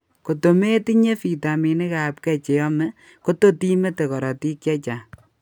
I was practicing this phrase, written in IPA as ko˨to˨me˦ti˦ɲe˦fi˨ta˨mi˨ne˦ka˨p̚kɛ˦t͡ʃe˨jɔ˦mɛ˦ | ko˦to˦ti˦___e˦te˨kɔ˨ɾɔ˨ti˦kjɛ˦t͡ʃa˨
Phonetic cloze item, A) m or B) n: A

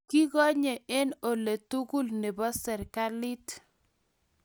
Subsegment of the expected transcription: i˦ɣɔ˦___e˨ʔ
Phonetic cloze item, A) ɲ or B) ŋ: A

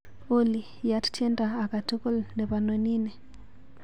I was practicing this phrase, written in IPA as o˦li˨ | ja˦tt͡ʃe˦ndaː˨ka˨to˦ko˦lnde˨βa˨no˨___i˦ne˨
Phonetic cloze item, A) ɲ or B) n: B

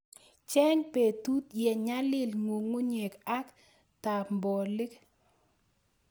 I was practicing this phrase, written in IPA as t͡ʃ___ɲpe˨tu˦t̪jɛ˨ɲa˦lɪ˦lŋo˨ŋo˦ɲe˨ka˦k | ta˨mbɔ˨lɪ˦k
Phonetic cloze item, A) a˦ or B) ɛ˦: B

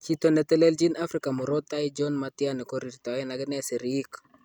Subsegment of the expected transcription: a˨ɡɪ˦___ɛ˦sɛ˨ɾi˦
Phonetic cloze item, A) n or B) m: A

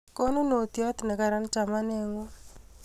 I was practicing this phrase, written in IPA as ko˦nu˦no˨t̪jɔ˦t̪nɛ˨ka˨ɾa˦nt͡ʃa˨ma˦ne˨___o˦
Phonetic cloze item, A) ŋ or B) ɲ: A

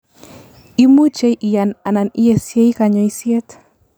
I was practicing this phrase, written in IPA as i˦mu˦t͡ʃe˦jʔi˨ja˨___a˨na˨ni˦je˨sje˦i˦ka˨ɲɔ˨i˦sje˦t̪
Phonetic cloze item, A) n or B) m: A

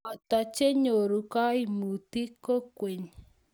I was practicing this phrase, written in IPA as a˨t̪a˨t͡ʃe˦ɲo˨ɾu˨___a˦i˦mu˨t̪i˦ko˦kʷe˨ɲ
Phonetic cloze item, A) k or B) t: A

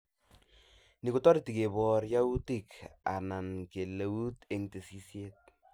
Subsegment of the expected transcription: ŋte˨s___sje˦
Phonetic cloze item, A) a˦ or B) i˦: B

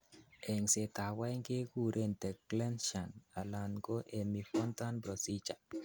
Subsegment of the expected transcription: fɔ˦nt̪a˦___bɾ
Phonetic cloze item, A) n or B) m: A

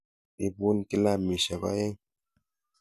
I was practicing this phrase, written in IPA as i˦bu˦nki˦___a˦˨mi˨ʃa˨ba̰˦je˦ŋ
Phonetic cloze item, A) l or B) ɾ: A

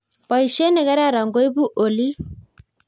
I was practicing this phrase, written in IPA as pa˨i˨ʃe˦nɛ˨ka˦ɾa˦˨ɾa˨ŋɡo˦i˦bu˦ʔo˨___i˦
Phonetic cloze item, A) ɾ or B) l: B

